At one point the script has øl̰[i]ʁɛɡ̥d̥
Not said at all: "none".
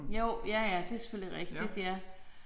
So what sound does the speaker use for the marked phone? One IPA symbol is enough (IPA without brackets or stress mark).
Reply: i